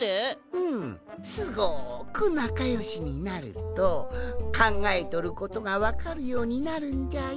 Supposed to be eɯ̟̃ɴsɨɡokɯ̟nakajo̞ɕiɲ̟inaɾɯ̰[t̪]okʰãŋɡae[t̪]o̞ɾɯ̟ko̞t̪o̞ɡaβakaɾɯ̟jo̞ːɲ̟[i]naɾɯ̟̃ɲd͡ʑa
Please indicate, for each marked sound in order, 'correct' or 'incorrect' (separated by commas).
correct, correct, correct